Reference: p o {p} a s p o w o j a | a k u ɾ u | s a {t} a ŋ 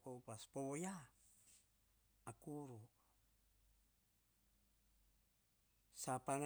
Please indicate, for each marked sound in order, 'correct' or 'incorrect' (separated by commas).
correct, incorrect